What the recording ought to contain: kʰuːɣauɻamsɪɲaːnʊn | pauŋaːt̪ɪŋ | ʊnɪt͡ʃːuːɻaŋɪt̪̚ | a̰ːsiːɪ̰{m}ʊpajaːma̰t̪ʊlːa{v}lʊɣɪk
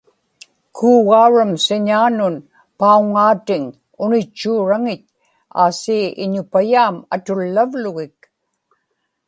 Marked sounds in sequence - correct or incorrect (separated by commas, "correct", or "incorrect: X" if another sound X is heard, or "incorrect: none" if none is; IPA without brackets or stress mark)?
incorrect: ɲ, correct